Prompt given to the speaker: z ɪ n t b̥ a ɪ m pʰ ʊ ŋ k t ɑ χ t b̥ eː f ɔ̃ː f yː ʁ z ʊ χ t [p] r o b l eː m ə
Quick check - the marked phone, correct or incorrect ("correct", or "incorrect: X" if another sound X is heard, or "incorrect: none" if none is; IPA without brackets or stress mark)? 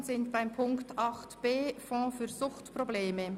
correct